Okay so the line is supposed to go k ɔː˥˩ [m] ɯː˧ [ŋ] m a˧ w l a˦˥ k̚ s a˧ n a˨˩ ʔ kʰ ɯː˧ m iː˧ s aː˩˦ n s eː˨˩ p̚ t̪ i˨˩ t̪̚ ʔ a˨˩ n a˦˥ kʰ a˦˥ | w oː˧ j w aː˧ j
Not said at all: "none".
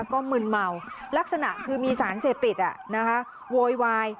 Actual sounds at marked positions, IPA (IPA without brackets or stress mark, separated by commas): m, n